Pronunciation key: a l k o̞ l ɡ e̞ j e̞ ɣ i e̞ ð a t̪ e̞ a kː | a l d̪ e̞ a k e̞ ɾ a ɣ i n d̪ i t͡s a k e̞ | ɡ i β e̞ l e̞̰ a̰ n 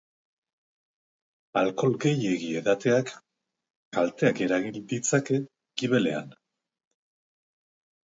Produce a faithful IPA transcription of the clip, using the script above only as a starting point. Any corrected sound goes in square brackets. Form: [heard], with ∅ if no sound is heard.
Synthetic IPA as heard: a l k o̞ l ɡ e̞ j e̞ ɣ i e̞ ð a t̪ e̞ a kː | a l [t̪] e̞ a k e̞ ɾ a ɣ i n d̪ i t͡s a k e̞ | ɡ i β e̞ l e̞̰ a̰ n